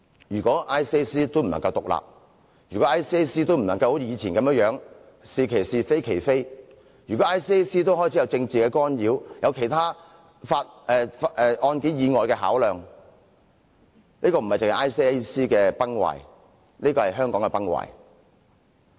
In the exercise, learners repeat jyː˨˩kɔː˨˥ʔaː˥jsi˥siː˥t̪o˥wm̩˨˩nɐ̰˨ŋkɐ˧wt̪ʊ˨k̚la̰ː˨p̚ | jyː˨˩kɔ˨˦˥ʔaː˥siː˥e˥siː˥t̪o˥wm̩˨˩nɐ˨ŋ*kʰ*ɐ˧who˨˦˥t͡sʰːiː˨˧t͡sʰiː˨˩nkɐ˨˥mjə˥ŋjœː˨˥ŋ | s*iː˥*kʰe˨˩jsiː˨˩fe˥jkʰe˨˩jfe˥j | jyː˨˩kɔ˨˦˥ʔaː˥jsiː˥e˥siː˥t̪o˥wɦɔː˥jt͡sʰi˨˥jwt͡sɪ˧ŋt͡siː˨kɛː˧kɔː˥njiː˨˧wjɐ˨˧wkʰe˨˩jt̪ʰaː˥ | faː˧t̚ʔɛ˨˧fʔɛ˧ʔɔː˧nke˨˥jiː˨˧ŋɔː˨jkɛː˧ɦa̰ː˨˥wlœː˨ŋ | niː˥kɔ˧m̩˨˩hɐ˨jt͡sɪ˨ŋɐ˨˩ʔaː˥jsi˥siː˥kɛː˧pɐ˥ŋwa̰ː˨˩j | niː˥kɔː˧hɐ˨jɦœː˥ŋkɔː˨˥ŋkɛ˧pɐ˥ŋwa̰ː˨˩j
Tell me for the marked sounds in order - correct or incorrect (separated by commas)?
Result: incorrect, incorrect